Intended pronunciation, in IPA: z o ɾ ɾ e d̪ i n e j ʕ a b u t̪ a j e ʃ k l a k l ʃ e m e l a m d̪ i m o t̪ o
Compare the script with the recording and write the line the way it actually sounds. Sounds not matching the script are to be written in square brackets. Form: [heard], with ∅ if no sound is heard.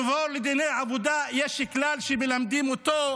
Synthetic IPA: [v] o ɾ [l] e d̪ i n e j ʕ a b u [d̪] a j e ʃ k l a [∅] l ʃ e m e l a m d̪ i m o t̪ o